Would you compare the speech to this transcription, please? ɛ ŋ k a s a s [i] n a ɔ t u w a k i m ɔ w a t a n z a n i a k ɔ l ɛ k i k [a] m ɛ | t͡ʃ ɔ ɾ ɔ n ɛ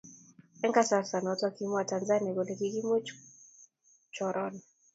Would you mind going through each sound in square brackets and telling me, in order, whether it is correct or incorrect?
incorrect, incorrect

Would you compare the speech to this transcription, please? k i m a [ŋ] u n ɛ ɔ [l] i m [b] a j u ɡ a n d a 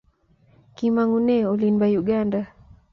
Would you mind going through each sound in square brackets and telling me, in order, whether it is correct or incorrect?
correct, correct, correct

